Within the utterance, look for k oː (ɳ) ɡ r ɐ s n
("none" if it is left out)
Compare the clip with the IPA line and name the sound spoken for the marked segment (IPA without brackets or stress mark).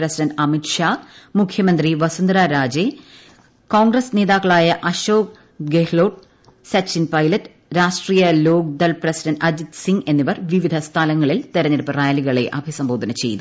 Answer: ŋ